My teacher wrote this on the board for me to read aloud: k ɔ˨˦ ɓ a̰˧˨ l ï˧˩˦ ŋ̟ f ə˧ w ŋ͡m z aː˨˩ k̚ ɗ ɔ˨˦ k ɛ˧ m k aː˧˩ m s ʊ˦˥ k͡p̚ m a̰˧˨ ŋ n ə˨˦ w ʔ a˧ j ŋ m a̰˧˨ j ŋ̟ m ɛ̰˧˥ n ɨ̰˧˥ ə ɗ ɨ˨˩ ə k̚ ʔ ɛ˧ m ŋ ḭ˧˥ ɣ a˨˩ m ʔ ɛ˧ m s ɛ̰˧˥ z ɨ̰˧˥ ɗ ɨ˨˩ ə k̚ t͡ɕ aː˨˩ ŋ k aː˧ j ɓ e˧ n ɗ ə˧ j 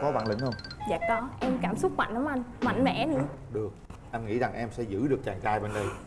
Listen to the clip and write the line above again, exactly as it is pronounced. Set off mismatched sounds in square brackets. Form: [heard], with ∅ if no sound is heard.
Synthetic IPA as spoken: k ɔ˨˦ ɓ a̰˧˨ l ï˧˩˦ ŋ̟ [h] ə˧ w ŋ͡m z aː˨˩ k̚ ɗ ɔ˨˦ [ʔ] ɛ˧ m k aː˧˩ m s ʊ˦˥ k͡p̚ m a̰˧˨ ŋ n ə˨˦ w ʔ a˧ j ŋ m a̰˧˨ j ŋ̟ m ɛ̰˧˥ n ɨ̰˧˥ ə ɗ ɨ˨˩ ə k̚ ʔ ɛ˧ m ŋ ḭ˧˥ [z] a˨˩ [ŋ] ʔ ɛ˧ m s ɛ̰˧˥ z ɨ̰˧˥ ɗ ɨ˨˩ ə k̚ t͡ɕ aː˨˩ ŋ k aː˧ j ɓ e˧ n ɗ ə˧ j

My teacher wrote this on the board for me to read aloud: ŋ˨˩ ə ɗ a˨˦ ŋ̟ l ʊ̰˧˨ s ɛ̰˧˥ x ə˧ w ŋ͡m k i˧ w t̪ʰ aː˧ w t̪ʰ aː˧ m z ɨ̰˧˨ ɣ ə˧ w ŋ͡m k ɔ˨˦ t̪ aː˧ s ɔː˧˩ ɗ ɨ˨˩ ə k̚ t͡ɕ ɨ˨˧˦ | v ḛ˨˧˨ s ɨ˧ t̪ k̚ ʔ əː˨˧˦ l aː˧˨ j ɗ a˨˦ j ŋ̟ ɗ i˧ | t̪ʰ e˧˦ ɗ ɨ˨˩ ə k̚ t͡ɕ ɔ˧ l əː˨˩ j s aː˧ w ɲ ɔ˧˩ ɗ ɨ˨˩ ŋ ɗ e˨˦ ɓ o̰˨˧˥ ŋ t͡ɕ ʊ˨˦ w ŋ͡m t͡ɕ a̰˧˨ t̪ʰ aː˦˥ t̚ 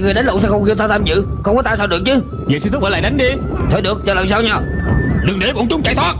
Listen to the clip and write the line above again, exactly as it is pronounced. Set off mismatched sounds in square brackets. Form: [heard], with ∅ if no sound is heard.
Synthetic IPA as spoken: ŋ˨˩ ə ɗ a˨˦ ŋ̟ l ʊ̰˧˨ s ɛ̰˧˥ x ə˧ w ŋ͡m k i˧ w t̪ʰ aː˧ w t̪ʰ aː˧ m z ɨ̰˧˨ [x] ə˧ w ŋ͡m k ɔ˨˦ t̪ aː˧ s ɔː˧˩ ɗ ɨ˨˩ ə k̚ t͡ɕ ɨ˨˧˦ | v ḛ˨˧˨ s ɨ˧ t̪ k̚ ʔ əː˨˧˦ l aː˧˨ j ɗ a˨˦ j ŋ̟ ɗ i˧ | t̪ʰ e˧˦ ɗ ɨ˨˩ ə k̚ t͡ɕ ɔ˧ l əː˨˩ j s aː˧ w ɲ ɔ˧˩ ɗ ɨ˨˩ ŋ ɗ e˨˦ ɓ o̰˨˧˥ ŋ t͡ɕ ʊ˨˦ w ŋ͡m t͡ɕ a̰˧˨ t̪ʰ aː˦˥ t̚

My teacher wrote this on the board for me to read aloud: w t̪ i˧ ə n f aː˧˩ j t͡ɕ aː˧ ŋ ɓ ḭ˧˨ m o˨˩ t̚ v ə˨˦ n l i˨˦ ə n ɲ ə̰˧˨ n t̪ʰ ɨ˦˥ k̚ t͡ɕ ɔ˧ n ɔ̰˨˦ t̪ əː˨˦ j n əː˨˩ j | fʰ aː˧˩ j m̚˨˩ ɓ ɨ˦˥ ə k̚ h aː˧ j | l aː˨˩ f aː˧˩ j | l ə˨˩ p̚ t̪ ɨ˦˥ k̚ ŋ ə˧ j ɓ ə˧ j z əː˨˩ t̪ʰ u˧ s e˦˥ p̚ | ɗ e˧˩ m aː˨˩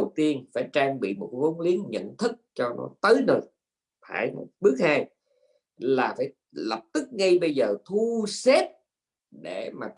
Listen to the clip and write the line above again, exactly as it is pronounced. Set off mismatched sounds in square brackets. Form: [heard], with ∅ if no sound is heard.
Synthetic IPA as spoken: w t̪ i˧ ə n f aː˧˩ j t͡ɕ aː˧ ŋ ɓ ḭ˧˨ m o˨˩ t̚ v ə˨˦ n l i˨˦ ə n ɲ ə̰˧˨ n t̪ʰ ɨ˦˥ k̚ t͡ɕ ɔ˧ n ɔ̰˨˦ t̪ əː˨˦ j n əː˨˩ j | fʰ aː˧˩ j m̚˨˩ ɓ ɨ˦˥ ə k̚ h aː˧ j | l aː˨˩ f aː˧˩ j | l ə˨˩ p̚ t̪ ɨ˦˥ k̚ ŋ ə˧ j ɓ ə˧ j z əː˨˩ t̪ʰ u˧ s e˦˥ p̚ | ɗ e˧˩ m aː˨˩

